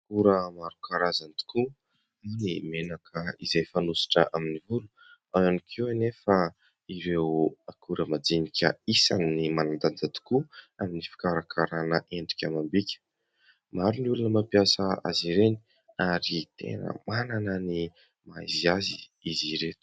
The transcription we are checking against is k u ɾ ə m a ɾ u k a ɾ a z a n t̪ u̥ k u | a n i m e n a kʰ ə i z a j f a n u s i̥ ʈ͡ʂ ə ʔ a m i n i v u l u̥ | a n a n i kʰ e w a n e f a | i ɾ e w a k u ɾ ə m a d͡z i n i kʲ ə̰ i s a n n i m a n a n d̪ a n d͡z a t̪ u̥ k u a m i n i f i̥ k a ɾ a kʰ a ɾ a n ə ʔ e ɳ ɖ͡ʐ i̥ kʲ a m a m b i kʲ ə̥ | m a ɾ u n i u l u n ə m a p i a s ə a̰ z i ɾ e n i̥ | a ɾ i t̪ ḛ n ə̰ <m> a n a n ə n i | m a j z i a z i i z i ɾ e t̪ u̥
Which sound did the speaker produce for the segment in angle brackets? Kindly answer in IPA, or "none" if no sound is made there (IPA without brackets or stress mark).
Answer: m